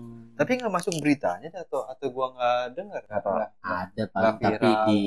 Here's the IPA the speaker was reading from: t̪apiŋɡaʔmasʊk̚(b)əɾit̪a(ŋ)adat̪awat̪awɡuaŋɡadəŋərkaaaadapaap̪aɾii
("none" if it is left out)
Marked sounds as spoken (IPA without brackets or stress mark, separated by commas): b, ɲ